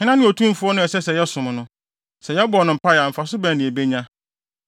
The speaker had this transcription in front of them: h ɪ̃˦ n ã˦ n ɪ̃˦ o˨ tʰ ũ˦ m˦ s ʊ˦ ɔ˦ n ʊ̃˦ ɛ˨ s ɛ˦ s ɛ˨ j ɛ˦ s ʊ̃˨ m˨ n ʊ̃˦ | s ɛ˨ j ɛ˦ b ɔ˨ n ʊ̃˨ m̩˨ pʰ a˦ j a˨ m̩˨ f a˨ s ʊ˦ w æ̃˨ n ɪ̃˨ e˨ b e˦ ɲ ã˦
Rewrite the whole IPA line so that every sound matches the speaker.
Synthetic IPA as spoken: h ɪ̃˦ n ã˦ n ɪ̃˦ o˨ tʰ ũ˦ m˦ f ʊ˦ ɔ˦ n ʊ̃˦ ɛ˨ s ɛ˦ s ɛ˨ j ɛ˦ s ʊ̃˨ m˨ n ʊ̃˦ | s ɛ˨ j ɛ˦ b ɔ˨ n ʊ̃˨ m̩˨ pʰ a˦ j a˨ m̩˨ f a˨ s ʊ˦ b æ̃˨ n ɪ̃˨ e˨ b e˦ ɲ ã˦